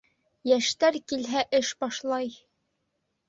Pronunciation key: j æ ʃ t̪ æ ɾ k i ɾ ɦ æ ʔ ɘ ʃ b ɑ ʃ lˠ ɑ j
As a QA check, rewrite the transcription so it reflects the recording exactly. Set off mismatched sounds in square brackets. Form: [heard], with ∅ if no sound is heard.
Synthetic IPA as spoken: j æ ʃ t̪ æ ɾ k i [l] ɦ æ ʔ ɘ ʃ b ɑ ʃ lˠ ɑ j